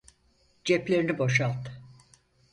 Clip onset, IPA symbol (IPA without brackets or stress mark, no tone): d͡ʒ